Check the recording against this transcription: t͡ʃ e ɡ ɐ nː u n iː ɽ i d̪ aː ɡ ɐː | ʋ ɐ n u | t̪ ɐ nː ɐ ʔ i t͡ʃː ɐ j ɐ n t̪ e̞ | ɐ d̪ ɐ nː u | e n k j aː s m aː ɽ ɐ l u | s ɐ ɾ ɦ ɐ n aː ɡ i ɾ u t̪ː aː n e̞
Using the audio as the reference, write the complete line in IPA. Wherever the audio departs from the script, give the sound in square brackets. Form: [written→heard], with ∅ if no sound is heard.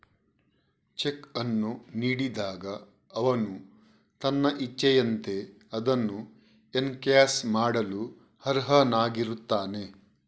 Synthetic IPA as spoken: t͡ʃ e [ɡ→k] ɐ nː u n iː ɽ i d̪ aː ɡ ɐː | ʋ ɐ n u | t̪ ɐ nː ɐ ʔ i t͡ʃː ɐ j ɐ n t̪ e̞ | ɐ d̪ ɐ nː u | e n k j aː s m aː ɽ ɐ l u | [s→h] ɐ ɾ ɦ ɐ n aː ɡ i ɾ u t̪ː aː n e̞